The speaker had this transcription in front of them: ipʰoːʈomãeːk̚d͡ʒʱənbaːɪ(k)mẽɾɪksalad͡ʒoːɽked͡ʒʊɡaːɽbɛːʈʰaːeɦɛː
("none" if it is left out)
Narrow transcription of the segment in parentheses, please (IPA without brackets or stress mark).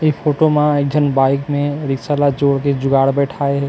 k